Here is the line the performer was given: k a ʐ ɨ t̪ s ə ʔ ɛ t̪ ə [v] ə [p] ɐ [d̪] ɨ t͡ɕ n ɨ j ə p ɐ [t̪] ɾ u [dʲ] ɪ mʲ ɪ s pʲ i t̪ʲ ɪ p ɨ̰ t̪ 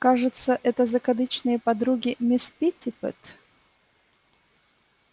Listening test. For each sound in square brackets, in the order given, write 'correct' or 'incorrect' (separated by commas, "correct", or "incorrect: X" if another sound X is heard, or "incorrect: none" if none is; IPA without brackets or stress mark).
incorrect: z, incorrect: k, correct, incorrect: d̪, incorrect: ɡʲ